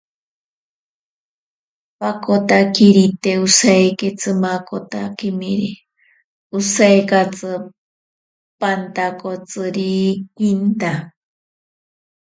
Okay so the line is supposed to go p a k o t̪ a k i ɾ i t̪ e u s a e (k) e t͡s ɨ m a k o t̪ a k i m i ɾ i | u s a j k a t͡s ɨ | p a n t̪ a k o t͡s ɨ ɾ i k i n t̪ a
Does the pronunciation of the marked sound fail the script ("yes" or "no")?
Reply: no